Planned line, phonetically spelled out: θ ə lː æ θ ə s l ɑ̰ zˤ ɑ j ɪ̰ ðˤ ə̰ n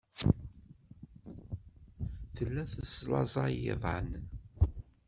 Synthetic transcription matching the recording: θ ə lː æ θ ə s l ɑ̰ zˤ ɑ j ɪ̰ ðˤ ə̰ n

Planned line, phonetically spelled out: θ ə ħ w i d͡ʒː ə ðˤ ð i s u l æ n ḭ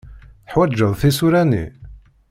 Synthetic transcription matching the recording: θ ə ħ w æ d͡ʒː ə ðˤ θ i s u ɾ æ n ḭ

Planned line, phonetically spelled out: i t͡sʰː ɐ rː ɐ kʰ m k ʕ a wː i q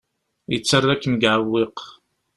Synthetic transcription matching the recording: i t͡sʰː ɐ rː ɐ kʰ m ɡ ʕ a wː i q

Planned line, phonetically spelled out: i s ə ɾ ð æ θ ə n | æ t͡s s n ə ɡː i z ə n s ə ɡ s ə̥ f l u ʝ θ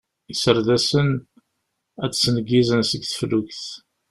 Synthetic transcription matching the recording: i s ə ɾ ð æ s ə n | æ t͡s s n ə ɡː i z ə n s ə ɡ θ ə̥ f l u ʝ θ

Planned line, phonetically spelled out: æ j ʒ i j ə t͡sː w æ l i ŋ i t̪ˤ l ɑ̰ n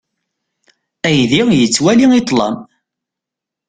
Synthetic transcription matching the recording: æ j ð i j ə t͡sː w æ l i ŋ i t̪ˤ l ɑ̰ m

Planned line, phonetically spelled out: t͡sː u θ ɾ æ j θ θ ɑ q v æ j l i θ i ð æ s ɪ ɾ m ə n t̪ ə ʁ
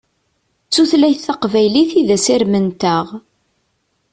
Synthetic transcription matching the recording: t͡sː u θ l æ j θ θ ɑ q v æ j l i θ i ð æ s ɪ ɾ m ə n t̪ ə ʁ

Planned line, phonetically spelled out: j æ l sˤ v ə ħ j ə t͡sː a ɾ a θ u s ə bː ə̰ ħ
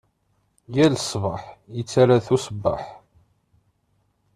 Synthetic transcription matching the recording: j æ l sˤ v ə ħ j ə t͡sː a ɾ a θ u s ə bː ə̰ ħ

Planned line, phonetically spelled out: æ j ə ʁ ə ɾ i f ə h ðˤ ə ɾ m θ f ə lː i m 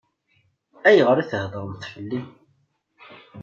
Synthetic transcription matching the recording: æ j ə ʁ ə ɾ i θ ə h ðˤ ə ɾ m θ f ə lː i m

